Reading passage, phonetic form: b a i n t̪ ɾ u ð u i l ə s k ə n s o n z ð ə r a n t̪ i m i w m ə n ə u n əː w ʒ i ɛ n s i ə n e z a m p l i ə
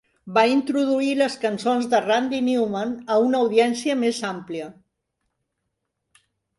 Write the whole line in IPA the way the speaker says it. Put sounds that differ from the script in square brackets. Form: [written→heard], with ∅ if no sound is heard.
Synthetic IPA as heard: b a i n t̪ ɾ u ð u i l ə s k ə n s o n z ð ə r a n [t̪→d̪] i [m→n] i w m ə n ə u n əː w [ʒ→ð] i ɛ n s i ə [n→m] e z a m p l i ə